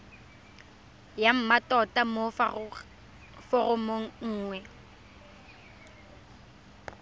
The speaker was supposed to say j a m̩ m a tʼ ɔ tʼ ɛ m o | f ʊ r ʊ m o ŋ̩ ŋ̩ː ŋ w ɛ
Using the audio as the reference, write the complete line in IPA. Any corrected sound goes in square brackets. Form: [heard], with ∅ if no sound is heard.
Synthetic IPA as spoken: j a m̩ m a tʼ ɔ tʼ [a] m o | f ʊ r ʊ m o ŋ̩ ŋ̩ː ŋ w ɛ